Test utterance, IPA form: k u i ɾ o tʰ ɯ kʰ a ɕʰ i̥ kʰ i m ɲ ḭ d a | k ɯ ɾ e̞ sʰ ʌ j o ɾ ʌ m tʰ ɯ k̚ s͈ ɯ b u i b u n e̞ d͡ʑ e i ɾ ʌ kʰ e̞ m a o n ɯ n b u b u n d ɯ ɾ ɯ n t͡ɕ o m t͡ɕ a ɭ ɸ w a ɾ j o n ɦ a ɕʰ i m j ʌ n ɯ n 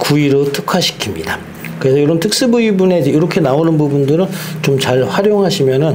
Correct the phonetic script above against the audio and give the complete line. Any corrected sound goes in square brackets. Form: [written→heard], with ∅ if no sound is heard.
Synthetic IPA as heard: k u i ɾ o tʰ ɯ kʰ a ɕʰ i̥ kʰ i m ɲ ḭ d a | k ɯ ɾ e̞ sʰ ʌ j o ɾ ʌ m tʰ ɯ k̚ s͈ ɯ b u i b u n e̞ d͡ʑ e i ɾ ʌ kʰ e̞ [m→n] a o n ɯ n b u b u n d ɯ ɾ ɯ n t͡ɕ o m t͡ɕ a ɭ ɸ w a ɾ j o [n→ŋ] ɦ a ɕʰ i m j ʌ n ɯ n